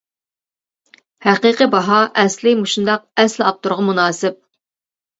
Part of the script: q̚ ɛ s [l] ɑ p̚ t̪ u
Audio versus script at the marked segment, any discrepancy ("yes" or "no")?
no